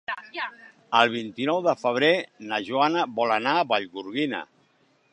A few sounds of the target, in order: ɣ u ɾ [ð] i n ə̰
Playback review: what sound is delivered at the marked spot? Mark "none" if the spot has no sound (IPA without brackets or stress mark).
ɣ